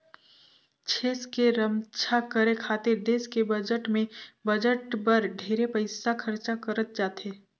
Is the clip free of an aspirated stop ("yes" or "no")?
no